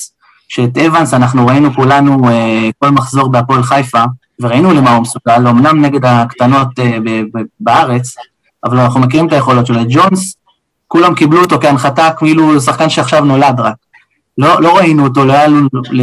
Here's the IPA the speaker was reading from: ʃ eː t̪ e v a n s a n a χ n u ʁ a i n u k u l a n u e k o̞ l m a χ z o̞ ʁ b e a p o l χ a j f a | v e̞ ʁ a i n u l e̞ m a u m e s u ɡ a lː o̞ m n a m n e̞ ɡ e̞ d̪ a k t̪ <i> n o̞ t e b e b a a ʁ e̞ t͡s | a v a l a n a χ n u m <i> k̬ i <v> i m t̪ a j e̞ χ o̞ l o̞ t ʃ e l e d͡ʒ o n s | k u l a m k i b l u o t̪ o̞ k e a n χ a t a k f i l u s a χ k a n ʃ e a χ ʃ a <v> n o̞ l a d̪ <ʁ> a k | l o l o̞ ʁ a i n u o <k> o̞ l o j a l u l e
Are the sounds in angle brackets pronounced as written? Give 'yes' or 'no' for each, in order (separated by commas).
no, no, no, yes, yes, no